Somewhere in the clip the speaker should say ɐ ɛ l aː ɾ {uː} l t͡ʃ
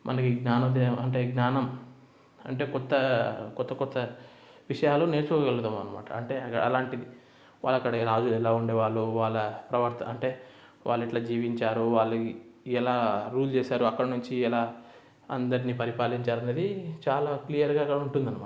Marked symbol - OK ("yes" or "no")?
yes